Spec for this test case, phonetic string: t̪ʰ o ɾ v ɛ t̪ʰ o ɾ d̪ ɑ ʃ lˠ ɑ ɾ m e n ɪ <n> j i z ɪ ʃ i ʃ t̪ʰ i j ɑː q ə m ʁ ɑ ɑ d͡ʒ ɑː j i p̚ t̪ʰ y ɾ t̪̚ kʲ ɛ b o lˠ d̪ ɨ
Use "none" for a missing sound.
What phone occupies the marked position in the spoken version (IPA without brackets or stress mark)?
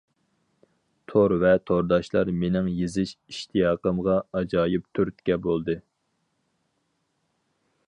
ŋ